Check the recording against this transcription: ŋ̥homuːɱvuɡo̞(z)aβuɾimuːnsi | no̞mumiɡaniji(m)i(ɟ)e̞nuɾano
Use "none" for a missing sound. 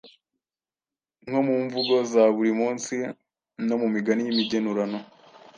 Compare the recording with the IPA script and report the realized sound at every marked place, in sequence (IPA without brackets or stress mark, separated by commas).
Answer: z, m, ɟ